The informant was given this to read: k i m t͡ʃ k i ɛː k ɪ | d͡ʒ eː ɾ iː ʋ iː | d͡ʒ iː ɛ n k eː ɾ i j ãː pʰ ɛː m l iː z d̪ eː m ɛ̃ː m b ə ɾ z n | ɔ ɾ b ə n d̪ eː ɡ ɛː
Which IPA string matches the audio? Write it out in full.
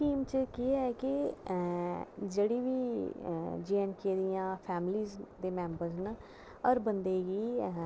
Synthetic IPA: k iː m t͡ʃ k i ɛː k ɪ | d͡ʒ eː ɽ iː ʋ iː | d͡ʒ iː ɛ n k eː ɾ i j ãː pʰ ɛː m l iː z d̪ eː m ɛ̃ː m b ə ɾ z n | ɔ ɾ b ə n d̪ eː ɡ iː